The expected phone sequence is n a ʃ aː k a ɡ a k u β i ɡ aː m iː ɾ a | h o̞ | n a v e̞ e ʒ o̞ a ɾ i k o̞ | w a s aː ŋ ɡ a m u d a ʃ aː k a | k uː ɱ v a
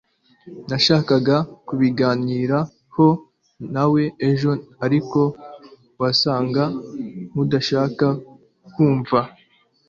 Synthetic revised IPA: n a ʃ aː k a ɡ a k u β i ɡ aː n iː ɾ a | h o̞ | n a w e̞ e ʒ o̞ a ɾ i k o̞ | w a s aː ŋ ɡ a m u d a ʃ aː k a | k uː ɱ v a